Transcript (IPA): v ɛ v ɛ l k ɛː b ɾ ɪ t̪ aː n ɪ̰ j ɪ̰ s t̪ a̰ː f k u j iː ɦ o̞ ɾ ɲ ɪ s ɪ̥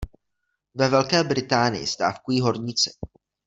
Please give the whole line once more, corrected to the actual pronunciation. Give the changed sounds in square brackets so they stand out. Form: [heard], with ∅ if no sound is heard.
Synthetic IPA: v ɛ v ɛ l k ɛː b ɾ ɪ t̪ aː n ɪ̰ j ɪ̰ s t̪ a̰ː f k u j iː ɦ o̞ ɾ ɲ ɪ [t͡s] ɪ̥